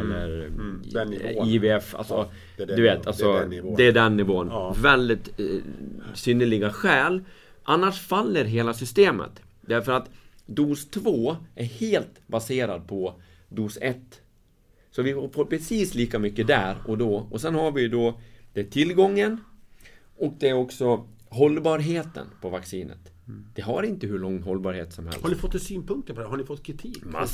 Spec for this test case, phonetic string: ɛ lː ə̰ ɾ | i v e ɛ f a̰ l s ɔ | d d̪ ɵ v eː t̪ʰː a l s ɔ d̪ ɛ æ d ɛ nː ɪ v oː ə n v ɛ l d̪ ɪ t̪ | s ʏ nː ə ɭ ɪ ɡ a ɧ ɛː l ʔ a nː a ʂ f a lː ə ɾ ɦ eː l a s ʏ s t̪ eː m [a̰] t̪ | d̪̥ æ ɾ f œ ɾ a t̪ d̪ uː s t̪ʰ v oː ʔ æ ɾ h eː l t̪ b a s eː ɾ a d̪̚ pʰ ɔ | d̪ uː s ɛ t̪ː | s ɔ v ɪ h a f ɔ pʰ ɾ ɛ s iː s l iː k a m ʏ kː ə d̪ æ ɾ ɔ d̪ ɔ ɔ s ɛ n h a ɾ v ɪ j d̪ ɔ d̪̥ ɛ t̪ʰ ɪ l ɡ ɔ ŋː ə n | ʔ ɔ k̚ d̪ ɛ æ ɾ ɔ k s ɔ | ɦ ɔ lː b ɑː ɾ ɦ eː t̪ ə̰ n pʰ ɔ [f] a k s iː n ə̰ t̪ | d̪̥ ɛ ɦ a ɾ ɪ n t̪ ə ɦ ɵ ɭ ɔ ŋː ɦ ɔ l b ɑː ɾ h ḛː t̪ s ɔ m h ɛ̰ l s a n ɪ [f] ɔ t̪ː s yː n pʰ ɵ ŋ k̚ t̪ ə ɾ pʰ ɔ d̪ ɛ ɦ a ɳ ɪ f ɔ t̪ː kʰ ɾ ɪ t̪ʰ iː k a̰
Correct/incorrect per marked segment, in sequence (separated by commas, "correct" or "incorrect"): incorrect, incorrect, correct